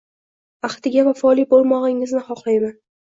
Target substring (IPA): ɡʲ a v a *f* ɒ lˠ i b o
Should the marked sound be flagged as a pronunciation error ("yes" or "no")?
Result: no